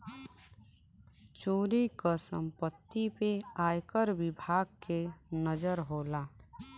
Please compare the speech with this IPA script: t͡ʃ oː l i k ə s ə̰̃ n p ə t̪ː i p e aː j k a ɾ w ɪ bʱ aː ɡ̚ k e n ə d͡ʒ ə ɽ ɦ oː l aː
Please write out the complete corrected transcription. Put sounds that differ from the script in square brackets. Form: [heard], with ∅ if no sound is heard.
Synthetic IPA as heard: t͡ʃ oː [ɾ] i k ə s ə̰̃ [m] p ə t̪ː i p e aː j k [ə] ɾ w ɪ bʱ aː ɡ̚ k e n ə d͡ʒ ə [ɾ] ɦ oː l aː